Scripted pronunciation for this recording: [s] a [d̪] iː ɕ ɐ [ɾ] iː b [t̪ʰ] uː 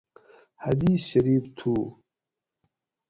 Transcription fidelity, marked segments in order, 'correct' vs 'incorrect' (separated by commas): incorrect, correct, correct, correct